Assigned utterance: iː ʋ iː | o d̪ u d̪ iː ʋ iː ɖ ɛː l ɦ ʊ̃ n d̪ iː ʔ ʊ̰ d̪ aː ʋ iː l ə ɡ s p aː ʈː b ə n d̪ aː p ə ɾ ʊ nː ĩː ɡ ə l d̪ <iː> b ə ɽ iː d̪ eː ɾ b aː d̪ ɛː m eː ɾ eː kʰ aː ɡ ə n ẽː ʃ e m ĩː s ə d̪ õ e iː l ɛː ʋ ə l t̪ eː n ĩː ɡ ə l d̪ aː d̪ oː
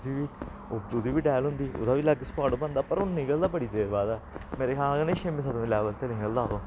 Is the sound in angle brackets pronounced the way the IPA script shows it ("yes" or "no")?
no